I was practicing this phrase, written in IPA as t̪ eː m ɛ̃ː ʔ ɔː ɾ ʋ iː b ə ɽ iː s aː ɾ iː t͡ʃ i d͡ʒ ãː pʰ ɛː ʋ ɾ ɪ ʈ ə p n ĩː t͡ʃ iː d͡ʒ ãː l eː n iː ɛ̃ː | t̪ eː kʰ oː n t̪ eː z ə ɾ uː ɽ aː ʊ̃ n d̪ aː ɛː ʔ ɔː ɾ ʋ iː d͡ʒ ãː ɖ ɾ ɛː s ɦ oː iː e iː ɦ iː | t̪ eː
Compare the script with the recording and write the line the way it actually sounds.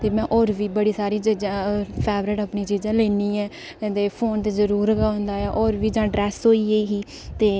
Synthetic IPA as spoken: t̪ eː m ɛ̃ː ʔ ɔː ɾ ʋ iː b ə ɽ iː s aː ɾ iː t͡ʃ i d͡ʒ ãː pʰ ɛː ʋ ɾ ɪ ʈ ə p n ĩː t͡ʃ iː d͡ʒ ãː l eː n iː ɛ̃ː | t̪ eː pʰ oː n t̪ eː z ə ɾ uː ɾ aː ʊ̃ n d̪ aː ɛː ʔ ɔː ɾ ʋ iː d͡ʒ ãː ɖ ɾ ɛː s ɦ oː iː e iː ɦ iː | t̪ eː